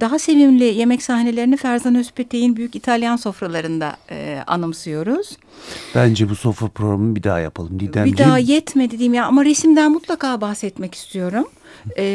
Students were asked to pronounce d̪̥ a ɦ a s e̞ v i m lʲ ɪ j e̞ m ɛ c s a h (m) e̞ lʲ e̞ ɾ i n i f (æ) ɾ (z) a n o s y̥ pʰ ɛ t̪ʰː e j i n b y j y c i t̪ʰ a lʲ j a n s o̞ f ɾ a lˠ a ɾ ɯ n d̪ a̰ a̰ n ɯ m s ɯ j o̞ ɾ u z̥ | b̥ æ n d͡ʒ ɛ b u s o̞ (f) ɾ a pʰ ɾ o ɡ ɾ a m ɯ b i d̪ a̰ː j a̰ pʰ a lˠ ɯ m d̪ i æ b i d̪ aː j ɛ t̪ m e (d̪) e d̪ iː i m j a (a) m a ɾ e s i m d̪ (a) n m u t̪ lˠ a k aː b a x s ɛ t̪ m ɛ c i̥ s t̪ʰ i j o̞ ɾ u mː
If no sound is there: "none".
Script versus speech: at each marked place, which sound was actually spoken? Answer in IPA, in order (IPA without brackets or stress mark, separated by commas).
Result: n, æ, z, f, d̪, a, æ